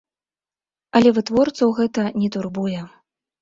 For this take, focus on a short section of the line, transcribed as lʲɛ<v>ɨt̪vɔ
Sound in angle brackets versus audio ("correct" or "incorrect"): correct